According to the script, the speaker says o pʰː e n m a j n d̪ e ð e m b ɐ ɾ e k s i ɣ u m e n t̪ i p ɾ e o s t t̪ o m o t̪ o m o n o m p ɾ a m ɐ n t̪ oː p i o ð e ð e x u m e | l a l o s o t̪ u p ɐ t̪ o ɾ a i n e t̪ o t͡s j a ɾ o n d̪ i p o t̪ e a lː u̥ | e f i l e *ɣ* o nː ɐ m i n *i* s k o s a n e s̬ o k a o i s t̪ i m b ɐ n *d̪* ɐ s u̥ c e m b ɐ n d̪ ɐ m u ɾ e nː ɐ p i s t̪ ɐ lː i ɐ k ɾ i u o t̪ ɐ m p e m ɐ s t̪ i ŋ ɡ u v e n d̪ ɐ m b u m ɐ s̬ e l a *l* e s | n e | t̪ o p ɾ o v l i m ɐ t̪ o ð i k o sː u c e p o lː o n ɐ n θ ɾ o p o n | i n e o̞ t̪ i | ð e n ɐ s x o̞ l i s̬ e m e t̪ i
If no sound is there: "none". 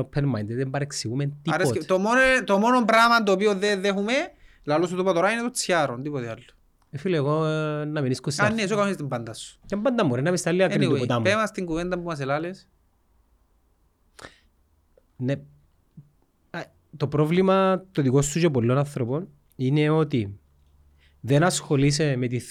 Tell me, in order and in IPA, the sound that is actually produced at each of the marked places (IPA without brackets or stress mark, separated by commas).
ɣ, i, d̪, l